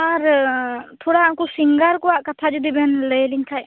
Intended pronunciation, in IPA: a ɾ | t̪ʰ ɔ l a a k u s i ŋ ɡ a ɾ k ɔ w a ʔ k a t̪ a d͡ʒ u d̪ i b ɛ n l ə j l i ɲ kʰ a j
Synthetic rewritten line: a ɾ | t̪ʰ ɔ ɽ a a k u s i ŋ ɡ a ɾ k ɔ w a ʔ k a t̪ʰ a d͡ʒ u d̪ i b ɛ n l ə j l i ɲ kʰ a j